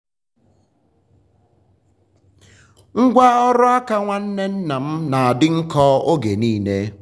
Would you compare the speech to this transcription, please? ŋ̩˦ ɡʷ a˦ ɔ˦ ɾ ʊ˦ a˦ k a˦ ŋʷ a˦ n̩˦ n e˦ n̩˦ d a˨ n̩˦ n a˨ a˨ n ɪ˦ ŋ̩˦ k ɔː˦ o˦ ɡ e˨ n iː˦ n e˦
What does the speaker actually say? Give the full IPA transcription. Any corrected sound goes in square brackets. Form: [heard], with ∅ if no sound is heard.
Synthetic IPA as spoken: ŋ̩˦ ɡʷ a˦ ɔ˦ ɾ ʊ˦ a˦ k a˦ ŋʷ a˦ n̩˦ n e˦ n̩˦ [n] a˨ [m̩˦] n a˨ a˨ [d] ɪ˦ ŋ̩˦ k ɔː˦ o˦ ɡ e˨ n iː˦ n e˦